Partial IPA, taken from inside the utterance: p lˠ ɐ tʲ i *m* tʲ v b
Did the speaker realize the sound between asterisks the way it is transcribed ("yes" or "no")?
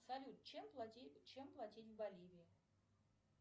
no